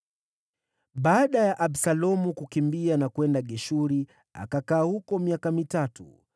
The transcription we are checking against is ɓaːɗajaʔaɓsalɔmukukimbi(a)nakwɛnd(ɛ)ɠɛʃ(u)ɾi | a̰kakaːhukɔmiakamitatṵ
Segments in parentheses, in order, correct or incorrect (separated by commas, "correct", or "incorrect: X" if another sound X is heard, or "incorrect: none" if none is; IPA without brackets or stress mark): correct, incorrect: a, correct